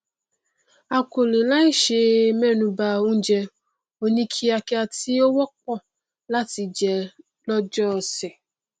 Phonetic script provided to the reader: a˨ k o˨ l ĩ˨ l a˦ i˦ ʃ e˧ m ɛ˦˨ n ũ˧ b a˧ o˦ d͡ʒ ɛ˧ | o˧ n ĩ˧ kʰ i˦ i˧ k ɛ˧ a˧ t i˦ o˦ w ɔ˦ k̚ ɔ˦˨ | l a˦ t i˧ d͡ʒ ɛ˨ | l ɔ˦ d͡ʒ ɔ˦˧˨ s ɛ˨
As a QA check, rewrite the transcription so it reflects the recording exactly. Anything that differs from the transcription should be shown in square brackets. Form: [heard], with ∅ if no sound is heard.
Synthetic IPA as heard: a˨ k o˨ l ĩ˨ l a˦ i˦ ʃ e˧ m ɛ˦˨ n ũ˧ b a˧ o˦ d͡ʒ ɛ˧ | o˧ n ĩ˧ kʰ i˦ [a˧] k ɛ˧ a˧ t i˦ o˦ w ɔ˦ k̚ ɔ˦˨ | l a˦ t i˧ d͡ʒ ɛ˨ | l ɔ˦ d͡ʒ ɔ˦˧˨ s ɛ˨